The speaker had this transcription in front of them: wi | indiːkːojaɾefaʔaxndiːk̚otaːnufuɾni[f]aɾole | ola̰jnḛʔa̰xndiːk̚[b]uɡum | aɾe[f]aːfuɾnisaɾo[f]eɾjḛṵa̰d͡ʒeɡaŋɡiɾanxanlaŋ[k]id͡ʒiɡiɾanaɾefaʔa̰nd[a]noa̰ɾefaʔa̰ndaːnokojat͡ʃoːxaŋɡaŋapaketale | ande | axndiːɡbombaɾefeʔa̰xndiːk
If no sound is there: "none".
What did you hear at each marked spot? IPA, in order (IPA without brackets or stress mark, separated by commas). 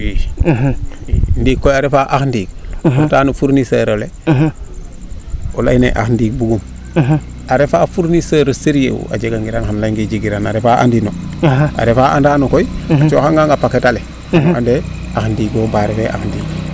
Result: s, b, f, s, ɡ, i